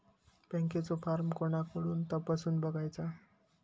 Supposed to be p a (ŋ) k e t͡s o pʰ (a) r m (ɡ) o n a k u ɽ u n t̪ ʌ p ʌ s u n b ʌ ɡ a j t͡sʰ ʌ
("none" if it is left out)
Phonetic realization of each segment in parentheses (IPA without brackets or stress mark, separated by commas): ŋ, a, k